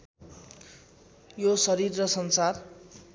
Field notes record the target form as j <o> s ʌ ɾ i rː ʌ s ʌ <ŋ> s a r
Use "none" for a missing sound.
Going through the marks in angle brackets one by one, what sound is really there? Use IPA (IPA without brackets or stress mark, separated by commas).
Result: o, n